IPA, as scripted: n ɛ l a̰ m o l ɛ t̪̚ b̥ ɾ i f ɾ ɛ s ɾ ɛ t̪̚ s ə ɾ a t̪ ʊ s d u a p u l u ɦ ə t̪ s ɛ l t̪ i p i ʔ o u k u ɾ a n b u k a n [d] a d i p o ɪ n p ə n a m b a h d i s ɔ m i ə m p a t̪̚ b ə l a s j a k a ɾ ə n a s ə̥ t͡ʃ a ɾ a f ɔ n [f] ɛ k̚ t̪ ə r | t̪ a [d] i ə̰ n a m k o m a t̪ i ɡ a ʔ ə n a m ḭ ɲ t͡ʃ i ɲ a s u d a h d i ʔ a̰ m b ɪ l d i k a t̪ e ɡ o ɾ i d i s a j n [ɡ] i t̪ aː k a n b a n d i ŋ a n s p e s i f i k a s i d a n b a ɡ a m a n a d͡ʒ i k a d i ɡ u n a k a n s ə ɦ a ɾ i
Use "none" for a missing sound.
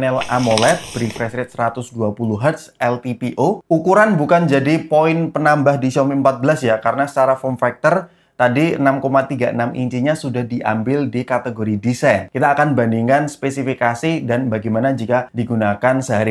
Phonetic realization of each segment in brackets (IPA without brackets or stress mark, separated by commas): d͡ʒ, f, d, k